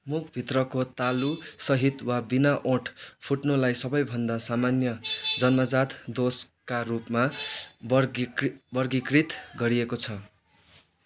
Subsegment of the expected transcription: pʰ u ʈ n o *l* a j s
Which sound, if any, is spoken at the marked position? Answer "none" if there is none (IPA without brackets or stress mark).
l